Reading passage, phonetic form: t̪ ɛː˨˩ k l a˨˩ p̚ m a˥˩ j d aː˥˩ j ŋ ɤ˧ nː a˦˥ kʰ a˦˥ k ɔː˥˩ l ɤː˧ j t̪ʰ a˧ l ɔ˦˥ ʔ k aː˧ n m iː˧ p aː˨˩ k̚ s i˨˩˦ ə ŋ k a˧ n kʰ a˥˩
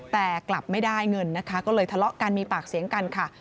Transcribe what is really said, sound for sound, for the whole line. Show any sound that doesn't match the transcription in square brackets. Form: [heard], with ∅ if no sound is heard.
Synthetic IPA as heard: t̪ ɛː˨˩ k l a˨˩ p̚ m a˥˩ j d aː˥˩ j ŋ ɤ˧ nː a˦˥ kʰ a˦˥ k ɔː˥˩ l ɤː˧ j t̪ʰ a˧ l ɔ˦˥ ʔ k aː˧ n m iː˧ p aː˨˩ k̚ s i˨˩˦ ə ŋ k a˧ n kʰ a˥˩